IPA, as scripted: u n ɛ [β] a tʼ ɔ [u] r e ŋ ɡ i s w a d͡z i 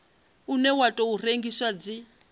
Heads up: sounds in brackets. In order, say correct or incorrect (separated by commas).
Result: incorrect, correct